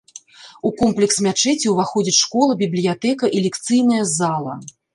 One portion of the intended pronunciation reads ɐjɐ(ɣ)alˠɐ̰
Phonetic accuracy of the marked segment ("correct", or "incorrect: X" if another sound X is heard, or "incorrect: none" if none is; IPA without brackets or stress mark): incorrect: z